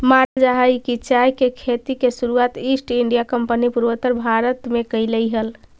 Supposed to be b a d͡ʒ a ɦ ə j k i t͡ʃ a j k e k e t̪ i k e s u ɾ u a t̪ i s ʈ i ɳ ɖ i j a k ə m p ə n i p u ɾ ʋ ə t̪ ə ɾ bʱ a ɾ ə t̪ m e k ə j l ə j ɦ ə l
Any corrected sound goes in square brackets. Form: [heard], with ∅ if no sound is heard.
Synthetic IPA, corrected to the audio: [m] a d͡ʒ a ɦ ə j k i t͡ʃ a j k e [kʰ] e t̪ i k e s u ɾ u a t̪ i s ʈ i ɳ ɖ i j a k ə m p ə n i p u ɾ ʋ ə t̪ ə ɾ bʱ a ɾ ə t̪ m e k ə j l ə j ɦ ə l

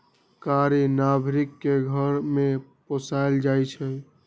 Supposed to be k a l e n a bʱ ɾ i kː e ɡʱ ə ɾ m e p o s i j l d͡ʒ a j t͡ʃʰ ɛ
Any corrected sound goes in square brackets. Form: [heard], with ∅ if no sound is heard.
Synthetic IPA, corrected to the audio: k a [ɾ] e n a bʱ ɾ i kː e ɡʱ ə ɾ m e p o s [a] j l d͡ʒ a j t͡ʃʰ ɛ

